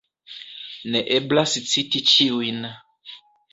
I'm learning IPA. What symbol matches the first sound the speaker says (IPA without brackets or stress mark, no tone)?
n